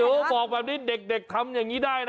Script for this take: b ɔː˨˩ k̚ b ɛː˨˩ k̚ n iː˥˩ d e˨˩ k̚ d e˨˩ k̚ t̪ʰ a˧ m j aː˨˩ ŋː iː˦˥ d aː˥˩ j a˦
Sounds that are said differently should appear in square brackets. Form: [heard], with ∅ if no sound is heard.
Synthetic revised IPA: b ɔː˨˩ k̚ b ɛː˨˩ [p̚] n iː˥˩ d e˨˩ k̚ d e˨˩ k̚ t̪ʰ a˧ m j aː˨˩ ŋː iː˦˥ d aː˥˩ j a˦

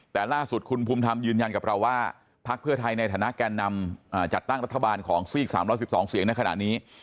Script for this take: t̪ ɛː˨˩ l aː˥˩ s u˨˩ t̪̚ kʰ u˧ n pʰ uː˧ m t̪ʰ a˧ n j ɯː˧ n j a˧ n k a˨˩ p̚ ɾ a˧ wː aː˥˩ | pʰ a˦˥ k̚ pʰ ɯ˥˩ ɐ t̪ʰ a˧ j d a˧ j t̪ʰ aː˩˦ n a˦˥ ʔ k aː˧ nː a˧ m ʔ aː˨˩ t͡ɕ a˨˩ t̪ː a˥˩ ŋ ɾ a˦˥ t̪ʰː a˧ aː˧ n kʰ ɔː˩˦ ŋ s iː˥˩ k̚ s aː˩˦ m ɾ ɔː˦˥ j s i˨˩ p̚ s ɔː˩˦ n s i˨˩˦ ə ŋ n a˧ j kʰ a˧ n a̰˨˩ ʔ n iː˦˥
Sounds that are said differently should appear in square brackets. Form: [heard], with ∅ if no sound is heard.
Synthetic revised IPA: t̪ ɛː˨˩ l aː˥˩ s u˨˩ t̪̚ kʰ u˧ n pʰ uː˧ m t̪ʰ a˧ [m] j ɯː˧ n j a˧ n k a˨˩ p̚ ɾ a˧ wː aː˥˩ | pʰ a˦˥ k̚ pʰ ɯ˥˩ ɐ t̪ʰ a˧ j [n] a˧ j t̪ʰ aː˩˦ n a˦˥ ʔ k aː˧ nː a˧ m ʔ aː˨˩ t͡ɕ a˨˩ t̪ː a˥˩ ŋ ɾ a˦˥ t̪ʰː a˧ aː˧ n kʰ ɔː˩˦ ŋ s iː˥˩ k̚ s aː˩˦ m ɾ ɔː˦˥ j s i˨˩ p̚ s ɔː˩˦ [ŋ] s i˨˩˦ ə ŋ n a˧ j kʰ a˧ n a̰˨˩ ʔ n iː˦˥

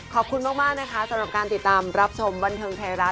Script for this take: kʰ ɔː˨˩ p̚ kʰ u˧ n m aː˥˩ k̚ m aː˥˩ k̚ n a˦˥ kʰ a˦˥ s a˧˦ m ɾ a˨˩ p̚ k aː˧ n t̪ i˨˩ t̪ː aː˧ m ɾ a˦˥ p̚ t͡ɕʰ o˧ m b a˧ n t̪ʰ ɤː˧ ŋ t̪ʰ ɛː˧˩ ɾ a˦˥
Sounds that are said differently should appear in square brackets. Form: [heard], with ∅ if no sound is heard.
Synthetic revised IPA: kʰ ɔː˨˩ p̚ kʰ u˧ n m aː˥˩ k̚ m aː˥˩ k̚ n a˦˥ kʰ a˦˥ s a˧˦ m ɾ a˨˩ p̚ k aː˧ n t̪ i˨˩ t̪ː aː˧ m ɾ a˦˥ p̚ t͡ɕʰ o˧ m b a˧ n t̪ʰ ɤː˧ ŋ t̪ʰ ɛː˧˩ ɾ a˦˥

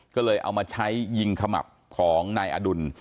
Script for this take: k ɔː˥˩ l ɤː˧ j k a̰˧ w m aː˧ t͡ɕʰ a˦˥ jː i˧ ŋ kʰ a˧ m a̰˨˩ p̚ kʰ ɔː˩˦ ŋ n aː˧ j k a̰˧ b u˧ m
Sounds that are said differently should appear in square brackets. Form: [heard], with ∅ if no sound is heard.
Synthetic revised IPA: k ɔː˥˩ l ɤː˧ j [ʔ] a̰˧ w m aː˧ t͡ɕʰ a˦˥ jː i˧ ŋ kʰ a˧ m a̰˨˩ p̚ kʰ ɔː˩˦ ŋ n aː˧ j [ʔ] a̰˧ [d] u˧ [n]

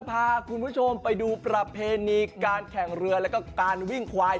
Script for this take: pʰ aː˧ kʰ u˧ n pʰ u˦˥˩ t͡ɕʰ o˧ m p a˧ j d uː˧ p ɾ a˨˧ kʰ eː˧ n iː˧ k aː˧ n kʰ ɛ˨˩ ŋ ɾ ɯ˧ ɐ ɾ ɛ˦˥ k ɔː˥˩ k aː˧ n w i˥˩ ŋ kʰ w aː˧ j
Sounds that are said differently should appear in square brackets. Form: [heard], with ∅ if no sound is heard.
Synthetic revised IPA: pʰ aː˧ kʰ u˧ n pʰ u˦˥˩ t͡ɕʰ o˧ m p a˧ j d uː˧ p ɾ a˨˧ [pʰ] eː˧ n iː˧ k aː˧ n kʰ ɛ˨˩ ŋ ɾ ɯ˧ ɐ [l] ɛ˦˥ k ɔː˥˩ k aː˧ n w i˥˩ ŋ kʰ w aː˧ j

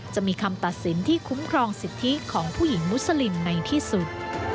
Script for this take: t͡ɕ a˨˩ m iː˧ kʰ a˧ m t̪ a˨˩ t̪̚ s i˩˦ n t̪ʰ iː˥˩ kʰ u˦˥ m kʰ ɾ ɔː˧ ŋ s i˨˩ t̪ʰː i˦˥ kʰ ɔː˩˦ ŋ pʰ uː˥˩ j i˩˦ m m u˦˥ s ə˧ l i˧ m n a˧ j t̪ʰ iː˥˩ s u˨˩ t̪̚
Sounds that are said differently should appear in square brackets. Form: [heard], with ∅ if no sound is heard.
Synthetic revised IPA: t͡ɕ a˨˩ m iː˧ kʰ a˧ m t̪ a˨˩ t̪̚ s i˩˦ n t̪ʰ iː˥˩ kʰ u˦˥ m kʰ ɾ ɔː˧ ŋ s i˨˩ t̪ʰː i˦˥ kʰ ɔː˩˦ ŋ pʰ uː˥˩ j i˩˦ [ŋ] m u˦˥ s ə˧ l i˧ m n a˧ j t̪ʰ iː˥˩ s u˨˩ t̪̚

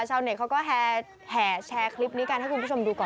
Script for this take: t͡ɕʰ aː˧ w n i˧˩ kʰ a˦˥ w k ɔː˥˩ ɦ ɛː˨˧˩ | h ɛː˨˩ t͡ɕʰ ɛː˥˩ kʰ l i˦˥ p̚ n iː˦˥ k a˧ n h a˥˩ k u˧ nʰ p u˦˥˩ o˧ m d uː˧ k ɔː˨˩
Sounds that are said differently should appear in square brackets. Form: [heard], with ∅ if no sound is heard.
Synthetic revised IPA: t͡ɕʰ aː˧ w n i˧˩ kʰ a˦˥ w k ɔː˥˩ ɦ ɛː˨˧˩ | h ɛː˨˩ t͡ɕʰ [ɛː˧] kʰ l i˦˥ p̚ n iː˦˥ k a˧ n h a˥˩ k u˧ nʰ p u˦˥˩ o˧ m d uː˧ k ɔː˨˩

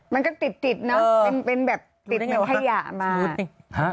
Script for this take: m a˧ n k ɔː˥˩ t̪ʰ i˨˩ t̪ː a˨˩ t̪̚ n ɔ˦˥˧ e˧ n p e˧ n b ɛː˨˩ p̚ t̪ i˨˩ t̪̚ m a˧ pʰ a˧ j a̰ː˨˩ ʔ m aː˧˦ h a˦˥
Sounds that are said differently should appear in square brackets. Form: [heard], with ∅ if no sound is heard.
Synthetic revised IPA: m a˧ n k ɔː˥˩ [t̪] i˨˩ t̪ː [i˨˩] t̪̚ n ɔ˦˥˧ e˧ n p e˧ n b ɛː˨˩ p̚ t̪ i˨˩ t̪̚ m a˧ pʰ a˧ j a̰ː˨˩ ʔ m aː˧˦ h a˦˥

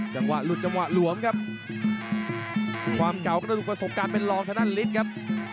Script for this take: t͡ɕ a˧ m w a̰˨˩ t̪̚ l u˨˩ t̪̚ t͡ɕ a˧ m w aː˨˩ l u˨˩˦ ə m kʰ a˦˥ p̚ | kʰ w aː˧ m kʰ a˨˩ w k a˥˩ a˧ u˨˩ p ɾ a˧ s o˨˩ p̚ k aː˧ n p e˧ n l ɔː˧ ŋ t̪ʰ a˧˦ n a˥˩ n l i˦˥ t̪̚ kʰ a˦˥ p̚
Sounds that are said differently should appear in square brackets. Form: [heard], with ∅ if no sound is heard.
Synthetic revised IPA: t͡ɕ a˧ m w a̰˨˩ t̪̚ l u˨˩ t̪̚ t͡ɕ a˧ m w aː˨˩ l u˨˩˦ ə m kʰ a˦˥ p̚ | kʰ w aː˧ m [k] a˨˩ w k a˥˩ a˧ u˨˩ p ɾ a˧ s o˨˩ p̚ k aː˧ n p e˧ n l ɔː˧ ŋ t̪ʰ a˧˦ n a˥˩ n l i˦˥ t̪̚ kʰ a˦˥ p̚

